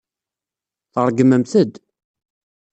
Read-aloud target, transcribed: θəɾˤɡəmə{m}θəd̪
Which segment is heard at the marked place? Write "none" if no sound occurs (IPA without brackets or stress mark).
m